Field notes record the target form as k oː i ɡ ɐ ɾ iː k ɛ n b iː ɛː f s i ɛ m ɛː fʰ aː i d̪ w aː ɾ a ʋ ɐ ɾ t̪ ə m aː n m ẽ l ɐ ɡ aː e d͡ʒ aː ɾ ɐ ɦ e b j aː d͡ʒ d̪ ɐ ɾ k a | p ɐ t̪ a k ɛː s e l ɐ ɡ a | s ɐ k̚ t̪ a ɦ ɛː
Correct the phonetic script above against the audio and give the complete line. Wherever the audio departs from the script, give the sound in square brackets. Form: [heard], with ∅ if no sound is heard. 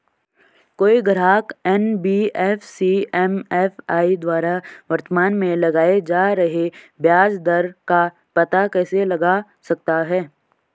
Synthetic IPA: k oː i ɡ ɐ ɾ [aː] k ɛ n b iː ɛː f s i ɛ m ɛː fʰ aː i d̪ w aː ɾ a ʋ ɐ ɾ t̪ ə m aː n m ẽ l ɐ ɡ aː e d͡ʒ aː ɾ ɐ ɦ e b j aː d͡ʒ d̪ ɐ ɾ k a | p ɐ t̪ a k ɛː s e l ɐ ɡ a | s ɐ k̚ t̪ a ɦ ɛː

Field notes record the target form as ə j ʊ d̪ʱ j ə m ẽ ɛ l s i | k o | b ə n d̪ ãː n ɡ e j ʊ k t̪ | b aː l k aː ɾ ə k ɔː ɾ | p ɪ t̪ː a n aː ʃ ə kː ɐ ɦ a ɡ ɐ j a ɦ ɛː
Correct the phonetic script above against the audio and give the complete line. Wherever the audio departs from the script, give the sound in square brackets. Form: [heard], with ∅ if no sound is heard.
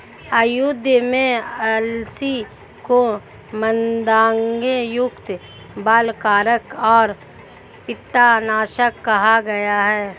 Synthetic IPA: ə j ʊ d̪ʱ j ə m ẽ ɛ l s i | k o | [m] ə n d̪ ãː [ŋ] ɡ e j ʊ k t̪ | b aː l k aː ɾ ə k ɔː ɾ | p ɪ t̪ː a n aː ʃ ə kː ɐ ɦ a ɡ ɐ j a ɦ ɛː

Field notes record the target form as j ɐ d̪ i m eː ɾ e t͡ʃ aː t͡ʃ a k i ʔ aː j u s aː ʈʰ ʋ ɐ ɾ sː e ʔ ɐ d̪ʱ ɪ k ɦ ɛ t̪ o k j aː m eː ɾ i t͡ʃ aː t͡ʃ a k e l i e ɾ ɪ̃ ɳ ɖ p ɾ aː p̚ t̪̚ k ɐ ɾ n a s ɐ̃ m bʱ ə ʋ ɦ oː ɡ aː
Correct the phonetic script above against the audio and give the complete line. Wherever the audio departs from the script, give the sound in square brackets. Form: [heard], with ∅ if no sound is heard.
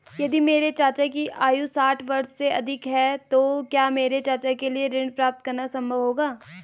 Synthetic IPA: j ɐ d̪ i m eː ɾ e t͡ʃ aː t͡ʃ a k i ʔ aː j u s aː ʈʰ ʋ ɐ ɾ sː e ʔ ɐ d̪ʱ ɪ k ɦ ɛ t̪ o k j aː m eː ɾ [e] t͡ʃ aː t͡ʃ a k e l i e ɾ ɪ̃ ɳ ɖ p ɾ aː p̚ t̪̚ k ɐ ɾ n a s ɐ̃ m bʱ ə ʋ ɦ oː ɡ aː

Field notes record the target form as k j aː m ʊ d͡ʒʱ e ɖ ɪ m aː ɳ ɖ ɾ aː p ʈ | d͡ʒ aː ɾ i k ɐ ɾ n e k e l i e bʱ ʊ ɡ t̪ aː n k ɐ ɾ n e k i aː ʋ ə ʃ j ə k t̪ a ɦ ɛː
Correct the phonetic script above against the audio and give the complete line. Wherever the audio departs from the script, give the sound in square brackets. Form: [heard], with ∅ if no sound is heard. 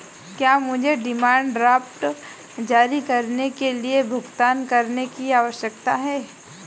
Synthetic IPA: k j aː m ʊ d͡ʒʱ e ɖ ɪ m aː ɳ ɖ ɾ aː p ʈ | d͡ʒ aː ɾ i k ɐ ɾ n e k e l i e bʱ ʊ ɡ t̪ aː n k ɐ ɾ n e k i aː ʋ ə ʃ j ə k t̪ a ɦ ɛː

